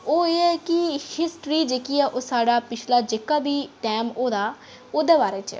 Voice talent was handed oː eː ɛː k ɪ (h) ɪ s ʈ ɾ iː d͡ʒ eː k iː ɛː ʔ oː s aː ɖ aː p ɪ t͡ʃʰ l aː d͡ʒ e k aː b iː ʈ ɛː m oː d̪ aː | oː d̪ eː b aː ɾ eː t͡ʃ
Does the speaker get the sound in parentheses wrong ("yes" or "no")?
no